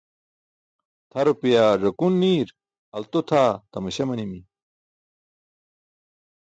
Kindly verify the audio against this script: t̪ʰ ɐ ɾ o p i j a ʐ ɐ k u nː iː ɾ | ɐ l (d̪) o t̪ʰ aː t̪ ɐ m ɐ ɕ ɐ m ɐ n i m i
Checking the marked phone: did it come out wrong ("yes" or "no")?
yes